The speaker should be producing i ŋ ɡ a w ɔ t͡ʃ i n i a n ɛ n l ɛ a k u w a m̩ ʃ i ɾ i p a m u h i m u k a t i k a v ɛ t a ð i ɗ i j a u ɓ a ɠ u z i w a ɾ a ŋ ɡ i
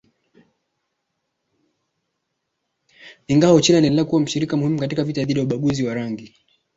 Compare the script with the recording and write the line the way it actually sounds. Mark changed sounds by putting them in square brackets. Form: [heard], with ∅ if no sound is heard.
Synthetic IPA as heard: i ŋ ɡ a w ɔ t͡ʃ i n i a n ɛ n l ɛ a k u w a m̩ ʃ i ɾ i [k] a m u h i m u k a t i k a v [i] t a ð i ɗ i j a u ɓ a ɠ u z i w a ɾ a ŋ ɡ i